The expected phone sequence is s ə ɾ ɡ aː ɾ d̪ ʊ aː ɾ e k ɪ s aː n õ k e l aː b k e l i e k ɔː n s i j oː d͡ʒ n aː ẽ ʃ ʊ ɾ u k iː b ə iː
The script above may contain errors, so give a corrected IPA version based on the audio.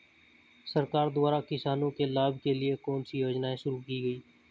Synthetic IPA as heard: s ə ɾ k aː ɾ d̪ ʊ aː ɾ a k ɪ s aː n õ k e l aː b k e l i e k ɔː n s i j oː d͡ʒ n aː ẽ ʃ ʊ ɾ u k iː ɡ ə iː